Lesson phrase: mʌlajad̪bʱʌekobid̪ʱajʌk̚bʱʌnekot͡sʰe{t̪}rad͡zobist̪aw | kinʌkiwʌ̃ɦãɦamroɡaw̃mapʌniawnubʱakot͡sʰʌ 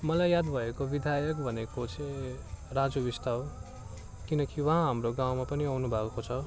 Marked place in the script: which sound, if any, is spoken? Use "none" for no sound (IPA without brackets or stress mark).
none